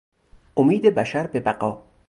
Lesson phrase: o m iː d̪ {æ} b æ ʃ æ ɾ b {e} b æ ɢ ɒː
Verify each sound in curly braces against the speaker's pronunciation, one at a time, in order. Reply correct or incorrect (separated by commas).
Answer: incorrect, correct